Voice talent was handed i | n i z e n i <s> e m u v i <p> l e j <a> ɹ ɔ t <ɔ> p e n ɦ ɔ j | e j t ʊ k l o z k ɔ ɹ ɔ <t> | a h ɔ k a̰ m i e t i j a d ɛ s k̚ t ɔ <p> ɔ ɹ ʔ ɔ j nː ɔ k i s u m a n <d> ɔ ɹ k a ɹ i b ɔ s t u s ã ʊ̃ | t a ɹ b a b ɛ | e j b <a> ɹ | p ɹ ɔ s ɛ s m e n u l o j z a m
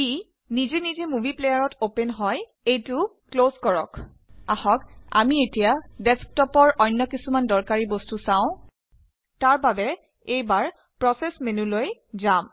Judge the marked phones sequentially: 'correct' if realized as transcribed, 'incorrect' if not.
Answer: incorrect: z, correct, correct, incorrect: o, incorrect: k, correct, correct, correct

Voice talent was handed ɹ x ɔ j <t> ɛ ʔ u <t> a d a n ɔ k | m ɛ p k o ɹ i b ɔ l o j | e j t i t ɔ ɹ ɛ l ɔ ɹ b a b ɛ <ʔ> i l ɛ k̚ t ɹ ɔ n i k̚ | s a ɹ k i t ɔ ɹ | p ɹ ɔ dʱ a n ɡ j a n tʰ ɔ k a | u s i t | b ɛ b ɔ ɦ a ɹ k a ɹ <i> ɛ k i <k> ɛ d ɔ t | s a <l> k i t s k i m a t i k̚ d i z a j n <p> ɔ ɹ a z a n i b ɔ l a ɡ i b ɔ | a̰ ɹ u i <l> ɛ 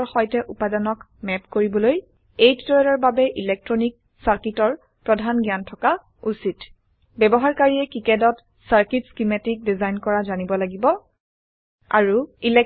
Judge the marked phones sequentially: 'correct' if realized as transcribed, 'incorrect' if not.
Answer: correct, incorrect: p, correct, correct, correct, incorrect: ɹ, incorrect: k, correct

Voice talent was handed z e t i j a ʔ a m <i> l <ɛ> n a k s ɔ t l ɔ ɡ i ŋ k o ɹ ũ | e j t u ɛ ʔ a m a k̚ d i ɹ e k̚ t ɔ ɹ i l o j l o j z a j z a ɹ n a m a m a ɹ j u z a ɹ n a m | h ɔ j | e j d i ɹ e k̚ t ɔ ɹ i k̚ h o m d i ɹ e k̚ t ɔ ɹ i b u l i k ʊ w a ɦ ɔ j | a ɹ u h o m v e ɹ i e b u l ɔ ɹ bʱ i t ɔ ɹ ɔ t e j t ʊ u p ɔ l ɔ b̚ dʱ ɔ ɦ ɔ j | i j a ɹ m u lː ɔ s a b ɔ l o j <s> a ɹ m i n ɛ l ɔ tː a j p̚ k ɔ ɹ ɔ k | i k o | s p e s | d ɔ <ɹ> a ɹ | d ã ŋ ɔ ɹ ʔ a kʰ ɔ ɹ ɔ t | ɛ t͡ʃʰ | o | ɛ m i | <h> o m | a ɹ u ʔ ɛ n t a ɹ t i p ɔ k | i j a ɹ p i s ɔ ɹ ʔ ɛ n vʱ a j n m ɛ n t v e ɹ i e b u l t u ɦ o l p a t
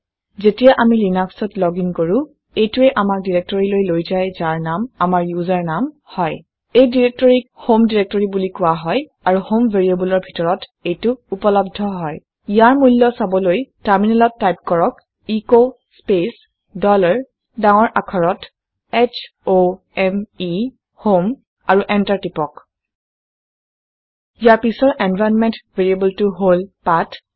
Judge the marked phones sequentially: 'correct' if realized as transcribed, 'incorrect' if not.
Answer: correct, incorrect: i, incorrect: t, incorrect: l, correct

